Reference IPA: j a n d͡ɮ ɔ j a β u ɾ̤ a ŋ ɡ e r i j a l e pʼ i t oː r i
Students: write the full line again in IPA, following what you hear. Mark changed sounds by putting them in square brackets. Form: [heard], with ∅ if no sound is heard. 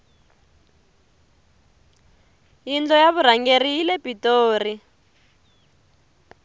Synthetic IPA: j [i] n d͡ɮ ɔ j a β u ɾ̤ a ŋ ɡ e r i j [i] l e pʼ i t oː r i

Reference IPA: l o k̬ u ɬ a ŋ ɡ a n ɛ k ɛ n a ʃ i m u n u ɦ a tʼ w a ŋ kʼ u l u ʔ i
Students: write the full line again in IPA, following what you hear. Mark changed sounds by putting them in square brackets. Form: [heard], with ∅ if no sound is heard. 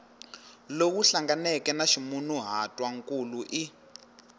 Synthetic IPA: l o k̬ u ɬ a ŋ ɡ a n ɛ k ɛ n a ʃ i m u n u ɦ a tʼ w a ŋ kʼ u l u ʔ i

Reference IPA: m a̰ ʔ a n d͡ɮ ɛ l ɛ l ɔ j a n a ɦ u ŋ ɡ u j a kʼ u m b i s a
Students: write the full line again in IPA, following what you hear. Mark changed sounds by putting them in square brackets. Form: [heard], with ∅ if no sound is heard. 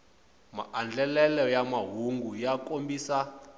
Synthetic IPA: m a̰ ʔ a n d͡ɮ ɛ l ɛ l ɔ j a [m] a ɦ u ŋ ɡ u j a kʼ [o] m b i s a

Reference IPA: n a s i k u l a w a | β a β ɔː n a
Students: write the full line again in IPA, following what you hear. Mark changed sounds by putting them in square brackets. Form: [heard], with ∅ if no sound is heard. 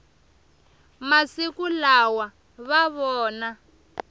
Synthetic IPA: [m] a s i k u l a w a | β a β ɔː n a

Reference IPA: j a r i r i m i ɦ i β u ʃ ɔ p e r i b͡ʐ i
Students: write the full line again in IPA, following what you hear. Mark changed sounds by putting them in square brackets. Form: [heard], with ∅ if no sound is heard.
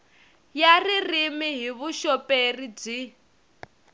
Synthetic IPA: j a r i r i m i ɦ i β u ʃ ɔ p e r i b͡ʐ i

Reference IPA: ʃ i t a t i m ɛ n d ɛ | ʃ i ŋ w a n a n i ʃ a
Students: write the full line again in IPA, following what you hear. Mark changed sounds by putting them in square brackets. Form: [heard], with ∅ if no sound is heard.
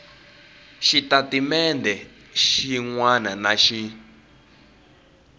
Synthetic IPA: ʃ i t a t i m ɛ n d ɛ | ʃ i ŋ w a n a n [a] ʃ [i]

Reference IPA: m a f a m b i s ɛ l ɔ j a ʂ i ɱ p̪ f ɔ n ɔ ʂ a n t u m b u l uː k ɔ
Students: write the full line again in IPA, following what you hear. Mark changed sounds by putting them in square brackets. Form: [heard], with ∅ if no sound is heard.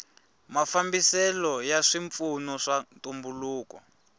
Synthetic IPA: m a f a m b i s ɛ l ɔ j a ʂ i ɱ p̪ f [u] n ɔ ʂ a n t u m b u l uː k ɔ

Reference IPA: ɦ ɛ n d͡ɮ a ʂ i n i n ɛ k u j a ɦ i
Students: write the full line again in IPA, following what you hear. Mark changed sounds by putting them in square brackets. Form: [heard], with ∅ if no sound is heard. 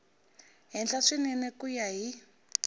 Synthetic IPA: ɦ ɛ n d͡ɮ a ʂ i n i n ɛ k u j a ɦ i

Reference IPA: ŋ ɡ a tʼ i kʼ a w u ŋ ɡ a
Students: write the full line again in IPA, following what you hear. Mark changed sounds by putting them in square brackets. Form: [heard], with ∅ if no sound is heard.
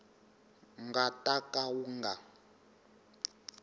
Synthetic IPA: ŋ ɡ a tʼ [a] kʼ a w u ŋ ɡ a

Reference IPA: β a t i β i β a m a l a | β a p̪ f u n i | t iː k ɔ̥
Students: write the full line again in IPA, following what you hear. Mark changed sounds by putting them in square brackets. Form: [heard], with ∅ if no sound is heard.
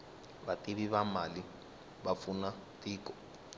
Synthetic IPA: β a t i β i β a m a l [i] | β a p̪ f u n [a] | t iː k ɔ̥

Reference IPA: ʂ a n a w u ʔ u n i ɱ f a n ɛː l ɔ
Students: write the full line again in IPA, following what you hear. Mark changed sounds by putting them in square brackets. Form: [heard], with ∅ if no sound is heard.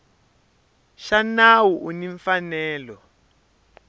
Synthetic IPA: [ʃ] a n a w u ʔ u n i ɱ f a n ɛː l ɔ

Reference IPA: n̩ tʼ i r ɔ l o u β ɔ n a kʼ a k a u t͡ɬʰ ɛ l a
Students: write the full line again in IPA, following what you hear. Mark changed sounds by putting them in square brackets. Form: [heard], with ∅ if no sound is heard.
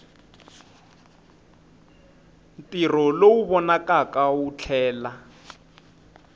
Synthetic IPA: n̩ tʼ i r ɔ l o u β ɔ n a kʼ a k a u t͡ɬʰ [ɛː] l a

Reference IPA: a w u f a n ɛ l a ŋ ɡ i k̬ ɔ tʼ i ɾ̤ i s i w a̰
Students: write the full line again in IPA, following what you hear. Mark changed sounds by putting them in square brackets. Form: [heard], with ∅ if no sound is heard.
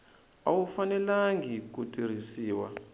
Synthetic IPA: a w u f a n ɛ l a ŋ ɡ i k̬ [u] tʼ i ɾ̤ i s [iː] w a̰

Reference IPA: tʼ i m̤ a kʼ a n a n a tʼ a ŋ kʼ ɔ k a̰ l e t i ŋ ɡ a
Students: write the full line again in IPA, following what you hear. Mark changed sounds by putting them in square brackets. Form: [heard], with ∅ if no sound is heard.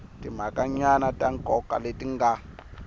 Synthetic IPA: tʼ i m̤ a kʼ a [ɲ] a n a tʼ a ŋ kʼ ɔ k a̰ l e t i ŋ ɡ a

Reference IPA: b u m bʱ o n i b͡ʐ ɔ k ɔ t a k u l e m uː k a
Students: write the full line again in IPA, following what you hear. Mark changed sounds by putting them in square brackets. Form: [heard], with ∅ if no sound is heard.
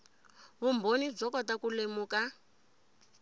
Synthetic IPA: [β] u m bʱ o n i b͡ʐ ɔ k ɔ t a k u l e m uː k a

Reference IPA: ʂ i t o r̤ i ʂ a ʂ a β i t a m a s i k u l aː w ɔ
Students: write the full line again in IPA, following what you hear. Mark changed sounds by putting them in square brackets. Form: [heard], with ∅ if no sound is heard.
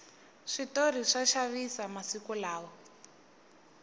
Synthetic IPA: ʂ i t o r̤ i ʂ a [ʃ] a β i [s] a m a s i k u l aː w ɔ

